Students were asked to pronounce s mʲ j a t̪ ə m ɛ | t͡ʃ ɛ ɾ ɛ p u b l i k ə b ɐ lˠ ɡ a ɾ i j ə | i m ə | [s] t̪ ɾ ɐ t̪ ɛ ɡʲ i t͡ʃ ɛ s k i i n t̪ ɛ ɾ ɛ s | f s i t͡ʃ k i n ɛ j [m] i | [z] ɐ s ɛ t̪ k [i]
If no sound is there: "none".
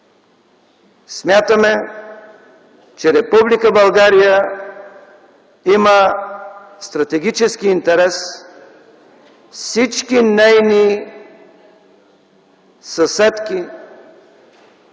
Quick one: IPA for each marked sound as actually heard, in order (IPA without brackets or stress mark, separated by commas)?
s, n, s, i